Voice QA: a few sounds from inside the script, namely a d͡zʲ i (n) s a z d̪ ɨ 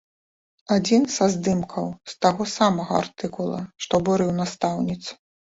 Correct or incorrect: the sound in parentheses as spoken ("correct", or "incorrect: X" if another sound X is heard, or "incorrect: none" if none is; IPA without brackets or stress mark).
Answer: correct